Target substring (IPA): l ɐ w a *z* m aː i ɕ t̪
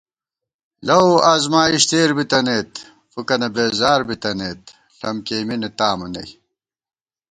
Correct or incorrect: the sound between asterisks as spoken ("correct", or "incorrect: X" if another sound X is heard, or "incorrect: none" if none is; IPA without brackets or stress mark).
correct